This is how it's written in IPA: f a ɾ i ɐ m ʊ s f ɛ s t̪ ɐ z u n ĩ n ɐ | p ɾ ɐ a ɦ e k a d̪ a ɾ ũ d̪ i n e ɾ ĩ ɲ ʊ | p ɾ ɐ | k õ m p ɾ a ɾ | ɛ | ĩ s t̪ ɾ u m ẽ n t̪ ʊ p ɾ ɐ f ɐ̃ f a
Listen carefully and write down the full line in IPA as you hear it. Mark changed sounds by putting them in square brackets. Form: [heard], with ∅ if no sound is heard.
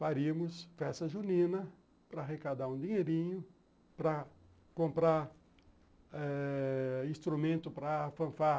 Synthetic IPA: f a ɾ i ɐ m ʊ s f ɛ s t̪ ɐ [ʒ] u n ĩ n ɐ | p ɾ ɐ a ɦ e k a d̪ a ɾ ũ d̪ i [ɲ] e ɾ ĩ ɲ ʊ | p ɾ ɐ | k õ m p ɾ a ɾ | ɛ | ĩ s t̪ ɾ u m ẽ n t̪ ʊ p ɾ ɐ f ɐ̃ f a